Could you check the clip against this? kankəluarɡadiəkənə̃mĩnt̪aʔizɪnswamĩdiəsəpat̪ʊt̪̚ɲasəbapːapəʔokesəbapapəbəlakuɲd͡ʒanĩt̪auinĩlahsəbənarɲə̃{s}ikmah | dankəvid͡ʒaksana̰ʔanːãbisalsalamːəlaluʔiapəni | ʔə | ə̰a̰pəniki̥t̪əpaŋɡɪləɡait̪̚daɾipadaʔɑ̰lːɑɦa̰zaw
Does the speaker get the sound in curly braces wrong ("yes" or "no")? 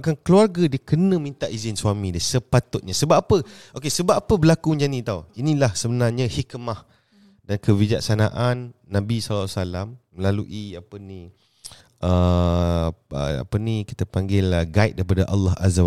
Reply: yes